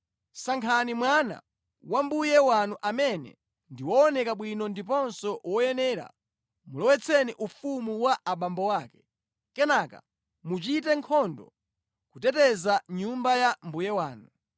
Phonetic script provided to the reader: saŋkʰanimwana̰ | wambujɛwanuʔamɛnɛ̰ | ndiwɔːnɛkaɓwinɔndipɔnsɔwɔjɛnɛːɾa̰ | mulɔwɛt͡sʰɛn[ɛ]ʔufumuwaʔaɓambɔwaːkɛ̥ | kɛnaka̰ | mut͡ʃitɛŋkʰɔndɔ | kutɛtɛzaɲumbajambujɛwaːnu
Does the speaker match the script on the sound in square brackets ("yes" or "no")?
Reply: no